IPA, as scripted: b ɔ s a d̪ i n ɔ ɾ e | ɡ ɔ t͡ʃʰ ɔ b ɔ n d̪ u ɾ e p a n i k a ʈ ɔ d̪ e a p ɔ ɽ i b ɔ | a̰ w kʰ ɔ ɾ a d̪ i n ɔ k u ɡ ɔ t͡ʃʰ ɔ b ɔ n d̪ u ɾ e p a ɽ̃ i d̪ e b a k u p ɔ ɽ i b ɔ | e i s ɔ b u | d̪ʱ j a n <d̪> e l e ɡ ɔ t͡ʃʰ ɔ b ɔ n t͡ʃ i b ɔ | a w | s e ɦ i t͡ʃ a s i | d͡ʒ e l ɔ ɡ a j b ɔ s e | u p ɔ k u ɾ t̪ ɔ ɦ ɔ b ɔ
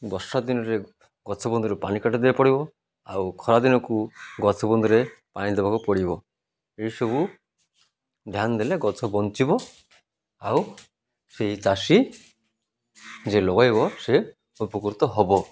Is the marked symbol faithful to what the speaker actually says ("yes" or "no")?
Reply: yes